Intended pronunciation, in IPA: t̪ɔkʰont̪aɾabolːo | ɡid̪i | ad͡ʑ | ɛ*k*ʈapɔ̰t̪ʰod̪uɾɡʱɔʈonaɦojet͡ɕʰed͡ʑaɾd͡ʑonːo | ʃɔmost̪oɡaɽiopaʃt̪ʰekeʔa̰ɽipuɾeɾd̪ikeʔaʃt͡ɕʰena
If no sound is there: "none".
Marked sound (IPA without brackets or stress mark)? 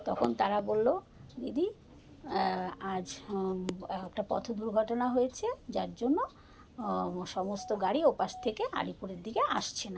k